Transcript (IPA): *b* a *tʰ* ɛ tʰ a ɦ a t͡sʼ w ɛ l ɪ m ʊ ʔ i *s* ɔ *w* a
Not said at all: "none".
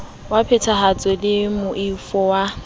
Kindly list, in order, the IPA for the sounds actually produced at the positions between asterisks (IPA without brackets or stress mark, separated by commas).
w, pʰ, f, w